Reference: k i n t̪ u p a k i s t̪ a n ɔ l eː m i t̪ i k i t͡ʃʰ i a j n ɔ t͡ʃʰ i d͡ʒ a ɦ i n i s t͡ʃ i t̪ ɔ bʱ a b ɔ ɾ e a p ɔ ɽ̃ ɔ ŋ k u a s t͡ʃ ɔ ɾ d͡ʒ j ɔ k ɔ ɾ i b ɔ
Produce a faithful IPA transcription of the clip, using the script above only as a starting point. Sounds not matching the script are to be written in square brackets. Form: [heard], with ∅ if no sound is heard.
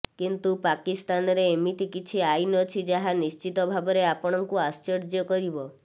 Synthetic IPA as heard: k i n t̪ u p a k i s t̪ a n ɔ [ɾ] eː m i t̪ i k i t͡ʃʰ i a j n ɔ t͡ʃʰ i d͡ʒ a ɦ [a] n i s t͡ʃ i t̪ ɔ bʱ a b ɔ ɾ e a p ɔ ɽ̃ ɔ ŋ k u a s t͡ʃ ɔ ɾ d͡ʒ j ɔ k ɔ ɾ i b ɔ